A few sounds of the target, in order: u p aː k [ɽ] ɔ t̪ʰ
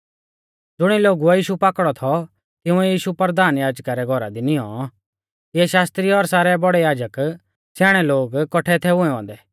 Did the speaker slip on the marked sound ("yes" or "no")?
no